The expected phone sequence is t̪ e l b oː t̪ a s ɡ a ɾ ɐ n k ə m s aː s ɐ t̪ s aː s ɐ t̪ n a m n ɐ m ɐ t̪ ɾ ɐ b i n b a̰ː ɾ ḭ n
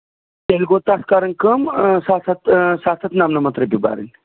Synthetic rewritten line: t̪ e l ɡ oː t̪ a s k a ɾ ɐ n k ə m s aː s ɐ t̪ s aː s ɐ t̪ n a m n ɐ m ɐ t̪ ɾ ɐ b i b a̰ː ɾ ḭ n